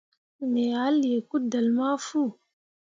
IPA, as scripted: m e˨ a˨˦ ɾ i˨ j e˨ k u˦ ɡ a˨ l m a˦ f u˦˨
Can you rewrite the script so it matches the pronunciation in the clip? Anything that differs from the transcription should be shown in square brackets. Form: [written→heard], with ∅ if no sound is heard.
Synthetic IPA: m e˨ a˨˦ [ɾ→l] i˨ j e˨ k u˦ [ɡ→d] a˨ l m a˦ f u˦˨